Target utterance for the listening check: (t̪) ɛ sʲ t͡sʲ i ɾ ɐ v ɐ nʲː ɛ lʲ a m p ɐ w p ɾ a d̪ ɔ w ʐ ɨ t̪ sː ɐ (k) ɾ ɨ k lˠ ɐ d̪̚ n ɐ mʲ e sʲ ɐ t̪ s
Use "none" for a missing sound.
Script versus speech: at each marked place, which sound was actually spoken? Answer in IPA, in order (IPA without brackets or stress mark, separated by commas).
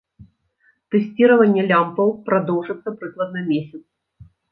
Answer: t̪, p